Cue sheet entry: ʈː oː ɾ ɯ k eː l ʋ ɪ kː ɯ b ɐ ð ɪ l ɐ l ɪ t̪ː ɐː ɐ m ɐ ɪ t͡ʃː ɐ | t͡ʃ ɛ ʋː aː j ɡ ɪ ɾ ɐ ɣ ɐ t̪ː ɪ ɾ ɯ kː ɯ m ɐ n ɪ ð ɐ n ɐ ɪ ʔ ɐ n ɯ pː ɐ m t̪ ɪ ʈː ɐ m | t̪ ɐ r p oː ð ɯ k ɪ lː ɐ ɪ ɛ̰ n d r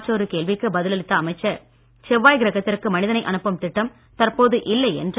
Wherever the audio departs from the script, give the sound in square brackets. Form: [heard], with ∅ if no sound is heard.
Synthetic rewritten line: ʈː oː ɾ ɯ k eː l ʋ ɪ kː ɯ b ɐ ð ɪ l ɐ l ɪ t̪ː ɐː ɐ m ɐ ɪ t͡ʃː ɐ | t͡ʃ ɛ ʋː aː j ɡ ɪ ɾ ɐ ɣ ɐ t̪ː ɪ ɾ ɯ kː ɯ m ɐ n ɪ ð ɐ n ɐ ɪ ʔ ɐ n ɯ pː ɐ m t̪ ɪ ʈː ɐ m | t̪ ɐ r p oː ð ɯ [ʔ] ɪ lː ɐ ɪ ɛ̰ n d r

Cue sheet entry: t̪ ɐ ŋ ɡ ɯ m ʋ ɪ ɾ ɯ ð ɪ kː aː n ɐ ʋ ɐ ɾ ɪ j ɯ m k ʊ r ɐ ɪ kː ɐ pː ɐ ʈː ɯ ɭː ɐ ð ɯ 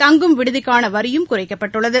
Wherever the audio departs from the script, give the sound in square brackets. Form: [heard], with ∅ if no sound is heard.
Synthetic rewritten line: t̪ ɐ ŋ ɡ ɯ m ʋ ɪ [ɽ] ɯ ð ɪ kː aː n ɐ ʋ ɐ ɾ ɪ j ɯ m k ʊ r ɐ ɪ kː ɐ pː ɐ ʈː ɯ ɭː ɐ ð ɯ

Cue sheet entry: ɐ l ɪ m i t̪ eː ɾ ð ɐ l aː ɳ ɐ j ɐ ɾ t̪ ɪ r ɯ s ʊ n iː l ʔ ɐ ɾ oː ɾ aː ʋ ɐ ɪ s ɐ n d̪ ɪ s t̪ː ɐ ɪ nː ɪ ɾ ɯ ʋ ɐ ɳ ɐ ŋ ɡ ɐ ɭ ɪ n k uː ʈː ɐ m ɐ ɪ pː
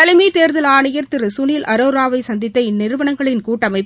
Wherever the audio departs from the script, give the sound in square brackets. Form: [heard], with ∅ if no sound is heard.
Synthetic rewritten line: ɐ l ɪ m i t̪ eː ɾ ð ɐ l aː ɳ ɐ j ɐ ɾ t̪ ɪ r ɯ s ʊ n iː l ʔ ɐ ɾ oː ɾ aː ʋ ɐ ɪ s ɐ n d̪ ɪ [∅] t̪ː ɐ ɪ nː ɪ ɾ ɯ ʋ ɐ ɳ ɐ ŋ ɡ ɐ ɭ ɪ n k uː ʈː ɐ m ɐ ɪ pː

